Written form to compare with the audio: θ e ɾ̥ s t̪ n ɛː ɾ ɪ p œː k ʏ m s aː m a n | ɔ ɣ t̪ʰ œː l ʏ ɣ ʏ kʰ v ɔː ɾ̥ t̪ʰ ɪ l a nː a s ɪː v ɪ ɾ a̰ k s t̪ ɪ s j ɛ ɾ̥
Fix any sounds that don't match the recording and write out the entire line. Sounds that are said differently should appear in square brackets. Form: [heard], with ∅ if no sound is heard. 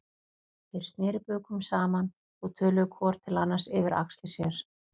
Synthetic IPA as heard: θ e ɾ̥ s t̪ n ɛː ɾ ɪ p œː k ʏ m s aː m a n | ɔ ɣ t̪ʰ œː l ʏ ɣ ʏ kʰ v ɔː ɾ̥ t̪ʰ ɪ l a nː a s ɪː v ɪ ɾ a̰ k s t̪ ɪ s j ɛ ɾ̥